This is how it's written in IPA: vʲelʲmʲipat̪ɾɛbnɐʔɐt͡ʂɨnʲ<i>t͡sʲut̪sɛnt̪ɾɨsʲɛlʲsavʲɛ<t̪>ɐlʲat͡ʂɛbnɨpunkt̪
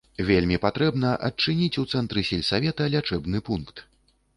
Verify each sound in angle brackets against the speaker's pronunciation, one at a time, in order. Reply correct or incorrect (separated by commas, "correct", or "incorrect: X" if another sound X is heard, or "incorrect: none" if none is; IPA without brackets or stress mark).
correct, correct